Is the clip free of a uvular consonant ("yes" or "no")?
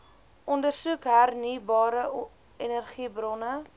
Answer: no